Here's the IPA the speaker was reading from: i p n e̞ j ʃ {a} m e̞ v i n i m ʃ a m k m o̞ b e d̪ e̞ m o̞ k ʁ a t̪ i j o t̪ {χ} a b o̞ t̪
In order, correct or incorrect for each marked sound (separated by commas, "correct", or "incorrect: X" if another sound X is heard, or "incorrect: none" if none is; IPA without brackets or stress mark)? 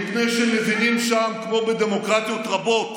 incorrect: e, incorrect: ʁ